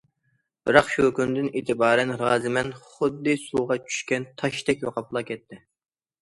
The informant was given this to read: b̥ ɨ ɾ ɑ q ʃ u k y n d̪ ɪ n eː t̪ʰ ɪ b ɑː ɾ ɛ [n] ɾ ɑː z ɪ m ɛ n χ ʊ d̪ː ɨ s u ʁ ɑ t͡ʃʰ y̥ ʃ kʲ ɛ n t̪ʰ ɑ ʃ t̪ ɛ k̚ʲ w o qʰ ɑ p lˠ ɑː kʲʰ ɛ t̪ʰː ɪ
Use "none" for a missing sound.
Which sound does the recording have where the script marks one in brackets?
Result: n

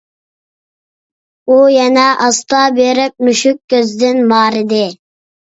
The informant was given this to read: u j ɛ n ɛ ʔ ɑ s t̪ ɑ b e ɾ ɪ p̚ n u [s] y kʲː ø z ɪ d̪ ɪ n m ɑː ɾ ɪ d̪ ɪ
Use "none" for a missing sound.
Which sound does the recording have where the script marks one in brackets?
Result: ʃ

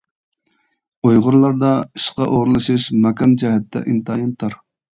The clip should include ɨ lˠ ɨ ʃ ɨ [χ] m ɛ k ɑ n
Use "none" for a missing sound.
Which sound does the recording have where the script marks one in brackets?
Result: ʃ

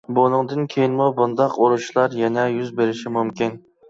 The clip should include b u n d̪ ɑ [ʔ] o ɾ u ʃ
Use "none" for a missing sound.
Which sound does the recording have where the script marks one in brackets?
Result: q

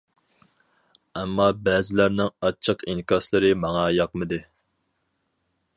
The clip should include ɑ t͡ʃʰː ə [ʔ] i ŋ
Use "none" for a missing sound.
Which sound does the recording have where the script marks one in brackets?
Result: q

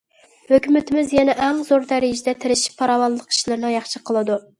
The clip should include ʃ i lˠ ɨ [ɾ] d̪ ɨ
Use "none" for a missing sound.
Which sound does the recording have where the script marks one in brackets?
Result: ɾ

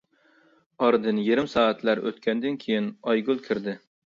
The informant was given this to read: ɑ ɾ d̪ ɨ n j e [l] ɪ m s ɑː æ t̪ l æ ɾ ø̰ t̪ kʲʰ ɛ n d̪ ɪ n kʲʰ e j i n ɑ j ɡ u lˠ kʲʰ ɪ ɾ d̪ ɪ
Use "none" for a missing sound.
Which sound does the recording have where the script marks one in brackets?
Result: ɾ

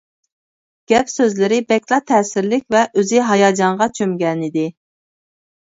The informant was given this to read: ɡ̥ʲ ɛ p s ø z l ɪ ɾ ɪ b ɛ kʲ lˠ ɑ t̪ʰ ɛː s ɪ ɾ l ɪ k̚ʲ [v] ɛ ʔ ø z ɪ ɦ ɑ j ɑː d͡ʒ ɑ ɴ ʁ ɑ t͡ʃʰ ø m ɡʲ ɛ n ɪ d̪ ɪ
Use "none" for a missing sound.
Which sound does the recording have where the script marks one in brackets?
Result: v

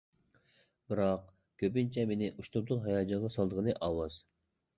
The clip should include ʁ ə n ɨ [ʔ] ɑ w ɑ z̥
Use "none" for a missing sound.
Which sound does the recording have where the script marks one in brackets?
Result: ʔ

